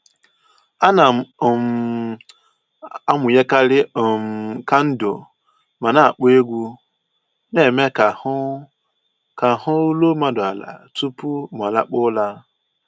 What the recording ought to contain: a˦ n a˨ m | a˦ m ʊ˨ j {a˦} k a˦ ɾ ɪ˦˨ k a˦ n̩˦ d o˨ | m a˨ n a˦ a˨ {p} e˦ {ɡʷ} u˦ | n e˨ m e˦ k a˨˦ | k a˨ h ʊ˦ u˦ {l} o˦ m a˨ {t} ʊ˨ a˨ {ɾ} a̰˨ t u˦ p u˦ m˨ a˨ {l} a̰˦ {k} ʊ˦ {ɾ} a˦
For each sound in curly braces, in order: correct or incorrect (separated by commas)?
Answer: incorrect, incorrect, correct, correct, incorrect, incorrect, correct, incorrect, incorrect